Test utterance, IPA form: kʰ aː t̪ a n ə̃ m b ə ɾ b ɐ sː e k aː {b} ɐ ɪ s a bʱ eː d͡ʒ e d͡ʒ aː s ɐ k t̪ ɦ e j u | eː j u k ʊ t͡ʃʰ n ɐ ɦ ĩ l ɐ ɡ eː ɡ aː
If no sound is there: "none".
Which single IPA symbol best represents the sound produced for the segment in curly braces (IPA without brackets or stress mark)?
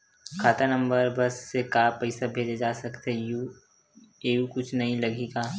p